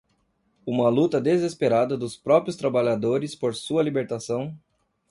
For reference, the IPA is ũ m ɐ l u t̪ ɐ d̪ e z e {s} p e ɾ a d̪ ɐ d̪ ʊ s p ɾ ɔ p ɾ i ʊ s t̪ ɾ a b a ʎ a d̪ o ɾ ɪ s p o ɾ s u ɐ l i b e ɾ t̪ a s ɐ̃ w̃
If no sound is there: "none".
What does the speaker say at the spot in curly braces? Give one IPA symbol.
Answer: s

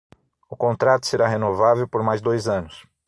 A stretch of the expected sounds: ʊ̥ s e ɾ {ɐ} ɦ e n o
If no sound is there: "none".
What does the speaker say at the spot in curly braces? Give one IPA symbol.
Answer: a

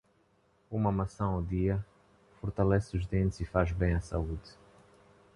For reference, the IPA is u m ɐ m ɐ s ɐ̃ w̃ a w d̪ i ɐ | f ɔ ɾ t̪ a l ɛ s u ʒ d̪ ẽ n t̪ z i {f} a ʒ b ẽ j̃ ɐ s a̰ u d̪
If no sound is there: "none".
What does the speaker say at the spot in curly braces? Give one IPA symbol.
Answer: f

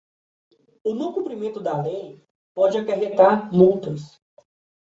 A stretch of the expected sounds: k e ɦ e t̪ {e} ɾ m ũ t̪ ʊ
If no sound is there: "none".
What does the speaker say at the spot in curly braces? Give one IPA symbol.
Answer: a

